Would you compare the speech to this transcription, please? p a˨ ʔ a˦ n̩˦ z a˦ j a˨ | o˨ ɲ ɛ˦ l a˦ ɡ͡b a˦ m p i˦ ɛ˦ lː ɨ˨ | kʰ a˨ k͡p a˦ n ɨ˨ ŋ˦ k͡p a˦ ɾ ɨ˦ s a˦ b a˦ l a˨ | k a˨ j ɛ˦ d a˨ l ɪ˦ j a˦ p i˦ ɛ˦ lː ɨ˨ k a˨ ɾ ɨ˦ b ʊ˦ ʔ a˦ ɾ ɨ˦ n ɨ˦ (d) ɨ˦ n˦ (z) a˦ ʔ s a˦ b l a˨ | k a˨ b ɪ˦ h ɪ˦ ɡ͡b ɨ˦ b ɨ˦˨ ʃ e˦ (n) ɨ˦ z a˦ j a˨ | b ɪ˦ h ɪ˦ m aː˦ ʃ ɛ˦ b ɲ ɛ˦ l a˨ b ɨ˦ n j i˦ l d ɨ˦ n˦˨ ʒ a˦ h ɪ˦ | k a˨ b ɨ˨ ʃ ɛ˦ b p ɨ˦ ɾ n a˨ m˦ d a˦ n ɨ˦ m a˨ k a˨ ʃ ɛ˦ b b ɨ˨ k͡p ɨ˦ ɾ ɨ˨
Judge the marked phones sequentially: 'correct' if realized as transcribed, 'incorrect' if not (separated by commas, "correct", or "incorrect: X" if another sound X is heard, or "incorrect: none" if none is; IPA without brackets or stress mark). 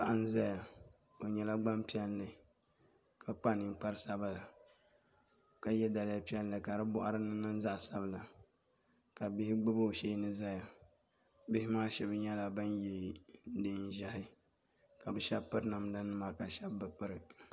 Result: incorrect: n, correct, correct